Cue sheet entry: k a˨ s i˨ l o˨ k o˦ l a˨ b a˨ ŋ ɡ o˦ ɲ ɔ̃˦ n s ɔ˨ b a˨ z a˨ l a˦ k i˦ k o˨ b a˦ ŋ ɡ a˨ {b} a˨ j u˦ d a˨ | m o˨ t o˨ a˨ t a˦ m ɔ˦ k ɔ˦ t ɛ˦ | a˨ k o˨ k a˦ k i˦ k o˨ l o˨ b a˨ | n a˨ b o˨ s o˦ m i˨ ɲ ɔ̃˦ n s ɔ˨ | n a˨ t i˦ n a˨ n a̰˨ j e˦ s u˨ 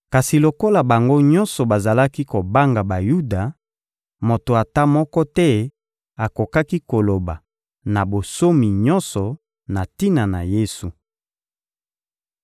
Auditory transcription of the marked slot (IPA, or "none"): b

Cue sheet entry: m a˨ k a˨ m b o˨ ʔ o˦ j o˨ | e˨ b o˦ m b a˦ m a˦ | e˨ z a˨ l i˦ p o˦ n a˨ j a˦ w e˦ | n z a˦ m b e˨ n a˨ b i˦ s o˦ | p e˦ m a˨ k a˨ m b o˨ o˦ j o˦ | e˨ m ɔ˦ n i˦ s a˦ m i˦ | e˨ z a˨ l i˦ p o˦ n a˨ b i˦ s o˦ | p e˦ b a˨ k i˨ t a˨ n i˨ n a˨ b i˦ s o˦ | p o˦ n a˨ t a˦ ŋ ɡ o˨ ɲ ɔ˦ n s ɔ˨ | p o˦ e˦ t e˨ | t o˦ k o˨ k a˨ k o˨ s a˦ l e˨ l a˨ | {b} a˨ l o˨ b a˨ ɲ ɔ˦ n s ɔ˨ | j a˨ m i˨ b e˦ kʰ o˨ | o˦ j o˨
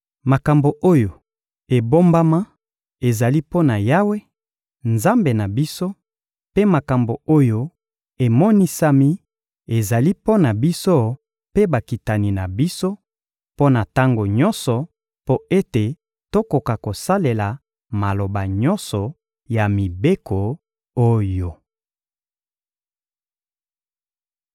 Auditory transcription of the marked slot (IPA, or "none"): m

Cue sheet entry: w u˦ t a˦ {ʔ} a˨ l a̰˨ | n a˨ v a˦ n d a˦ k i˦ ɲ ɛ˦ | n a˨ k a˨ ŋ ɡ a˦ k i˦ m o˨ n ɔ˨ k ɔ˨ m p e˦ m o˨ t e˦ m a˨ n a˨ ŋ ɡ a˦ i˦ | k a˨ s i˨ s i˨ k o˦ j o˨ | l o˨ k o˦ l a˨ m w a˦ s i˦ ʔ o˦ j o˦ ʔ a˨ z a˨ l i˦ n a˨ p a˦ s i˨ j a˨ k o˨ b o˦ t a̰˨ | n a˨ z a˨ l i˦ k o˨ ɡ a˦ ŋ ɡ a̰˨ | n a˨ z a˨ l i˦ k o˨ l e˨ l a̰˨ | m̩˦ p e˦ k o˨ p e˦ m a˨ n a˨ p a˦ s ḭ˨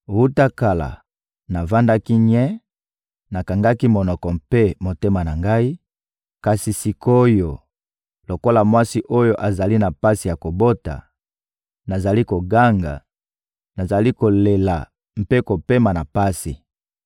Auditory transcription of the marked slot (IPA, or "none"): k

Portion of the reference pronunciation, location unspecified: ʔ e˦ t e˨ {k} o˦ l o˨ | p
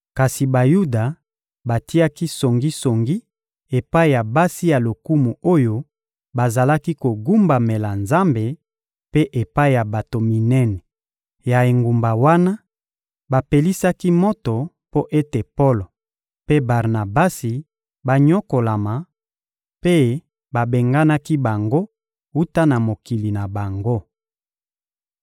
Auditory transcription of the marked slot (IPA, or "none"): p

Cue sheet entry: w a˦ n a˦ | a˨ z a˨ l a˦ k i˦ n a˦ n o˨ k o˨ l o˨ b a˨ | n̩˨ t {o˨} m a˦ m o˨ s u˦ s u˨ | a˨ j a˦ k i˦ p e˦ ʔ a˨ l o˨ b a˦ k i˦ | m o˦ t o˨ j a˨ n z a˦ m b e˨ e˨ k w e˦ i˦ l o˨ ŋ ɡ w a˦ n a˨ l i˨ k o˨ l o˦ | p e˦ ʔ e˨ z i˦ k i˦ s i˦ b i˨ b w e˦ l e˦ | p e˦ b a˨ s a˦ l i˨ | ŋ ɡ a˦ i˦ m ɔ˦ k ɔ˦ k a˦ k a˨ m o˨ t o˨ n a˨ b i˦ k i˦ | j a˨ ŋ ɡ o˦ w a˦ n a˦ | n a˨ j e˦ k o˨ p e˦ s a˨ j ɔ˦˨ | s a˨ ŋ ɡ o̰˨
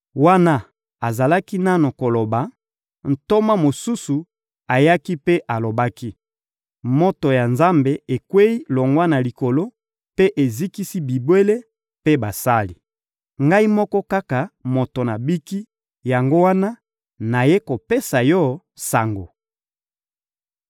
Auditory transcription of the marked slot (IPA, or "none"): o˦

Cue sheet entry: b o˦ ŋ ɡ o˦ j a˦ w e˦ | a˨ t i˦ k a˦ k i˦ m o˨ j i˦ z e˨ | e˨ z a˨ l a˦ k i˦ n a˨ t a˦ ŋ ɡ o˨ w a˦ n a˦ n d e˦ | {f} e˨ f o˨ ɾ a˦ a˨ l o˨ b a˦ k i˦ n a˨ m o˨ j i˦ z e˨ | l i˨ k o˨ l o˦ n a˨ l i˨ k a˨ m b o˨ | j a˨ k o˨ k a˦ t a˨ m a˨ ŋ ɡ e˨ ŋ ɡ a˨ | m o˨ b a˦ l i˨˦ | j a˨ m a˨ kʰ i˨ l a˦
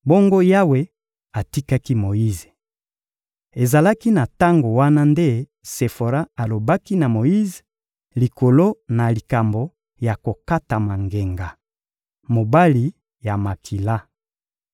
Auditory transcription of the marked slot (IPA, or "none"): s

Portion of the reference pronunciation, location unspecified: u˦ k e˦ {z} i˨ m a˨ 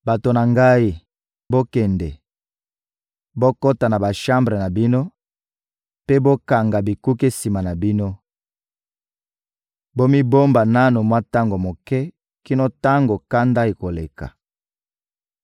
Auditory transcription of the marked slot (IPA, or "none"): s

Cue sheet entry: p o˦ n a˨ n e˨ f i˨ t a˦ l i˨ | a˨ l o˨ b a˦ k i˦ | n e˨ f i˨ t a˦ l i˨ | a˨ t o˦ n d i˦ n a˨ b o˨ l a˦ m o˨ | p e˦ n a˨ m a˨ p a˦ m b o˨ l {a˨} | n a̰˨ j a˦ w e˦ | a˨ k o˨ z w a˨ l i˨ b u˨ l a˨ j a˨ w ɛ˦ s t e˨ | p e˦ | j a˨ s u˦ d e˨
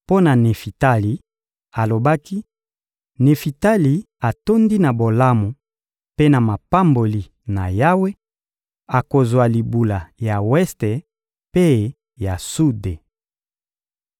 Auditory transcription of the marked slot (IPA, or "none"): i˨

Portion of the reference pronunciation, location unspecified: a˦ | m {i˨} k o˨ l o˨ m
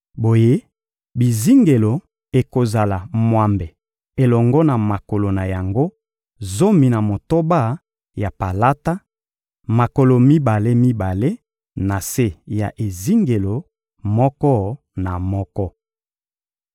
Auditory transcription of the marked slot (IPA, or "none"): a˨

